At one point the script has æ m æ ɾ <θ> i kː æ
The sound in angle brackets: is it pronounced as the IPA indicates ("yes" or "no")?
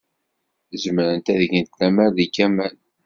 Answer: no